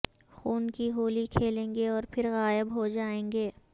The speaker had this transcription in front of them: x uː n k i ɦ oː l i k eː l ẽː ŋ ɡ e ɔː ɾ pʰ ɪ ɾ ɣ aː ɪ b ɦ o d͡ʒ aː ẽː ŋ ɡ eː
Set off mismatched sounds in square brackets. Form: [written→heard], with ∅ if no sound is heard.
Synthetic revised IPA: x uː n k i ɦ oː l i [k→kʰ] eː l ẽː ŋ ɡ e ɔː ɾ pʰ ɪ ɾ ɣ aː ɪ b ɦ o d͡ʒ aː ẽː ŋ ɡ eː